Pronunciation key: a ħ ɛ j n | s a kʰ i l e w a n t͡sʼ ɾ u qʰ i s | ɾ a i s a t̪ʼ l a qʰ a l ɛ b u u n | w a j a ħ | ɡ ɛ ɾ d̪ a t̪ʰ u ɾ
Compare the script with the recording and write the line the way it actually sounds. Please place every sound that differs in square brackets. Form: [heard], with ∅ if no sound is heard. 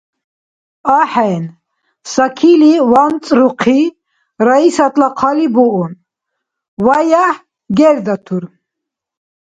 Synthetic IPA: a ħ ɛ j n | s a kʰ i l [i] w a n t͡sʼ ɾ u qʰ i [∅] | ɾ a i s a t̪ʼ l a qʰ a l [i] b u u n | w a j a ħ | ɡ ɛ ɾ d̪ a t̪ʰ u ɾ